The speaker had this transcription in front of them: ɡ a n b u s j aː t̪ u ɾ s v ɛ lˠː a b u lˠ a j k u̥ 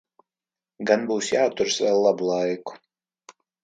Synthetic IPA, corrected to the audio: ɡ a n b uː s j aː t̪ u ɾ s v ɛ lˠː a b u lˠ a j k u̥